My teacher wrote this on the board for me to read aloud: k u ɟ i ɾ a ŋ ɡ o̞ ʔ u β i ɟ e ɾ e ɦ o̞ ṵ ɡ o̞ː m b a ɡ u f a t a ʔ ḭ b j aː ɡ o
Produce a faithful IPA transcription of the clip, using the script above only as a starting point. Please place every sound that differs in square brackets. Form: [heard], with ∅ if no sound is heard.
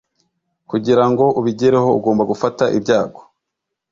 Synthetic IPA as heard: k u ɟ i ɾ a ŋ ɡ o̞ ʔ u β i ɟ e ɾ e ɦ o̞ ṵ ɡ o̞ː m b a ɡ u f a t a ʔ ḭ b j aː ɡ o